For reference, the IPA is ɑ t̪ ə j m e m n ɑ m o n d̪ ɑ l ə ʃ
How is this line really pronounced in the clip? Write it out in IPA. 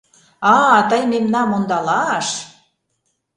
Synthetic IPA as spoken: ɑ t̪ ə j m e m n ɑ m o n d̪ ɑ l ɑ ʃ